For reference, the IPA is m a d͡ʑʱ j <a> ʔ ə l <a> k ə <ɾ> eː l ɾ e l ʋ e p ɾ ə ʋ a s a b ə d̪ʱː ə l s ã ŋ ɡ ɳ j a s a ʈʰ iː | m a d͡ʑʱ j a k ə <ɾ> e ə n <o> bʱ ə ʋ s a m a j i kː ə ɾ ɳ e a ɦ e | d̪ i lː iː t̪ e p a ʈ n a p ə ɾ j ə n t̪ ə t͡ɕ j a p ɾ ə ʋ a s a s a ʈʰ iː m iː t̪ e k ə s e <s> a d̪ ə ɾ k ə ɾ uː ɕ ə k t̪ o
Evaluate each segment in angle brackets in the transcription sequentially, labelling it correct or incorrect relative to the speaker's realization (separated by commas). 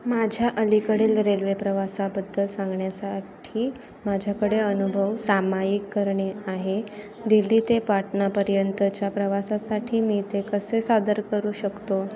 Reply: correct, incorrect, incorrect, incorrect, incorrect, correct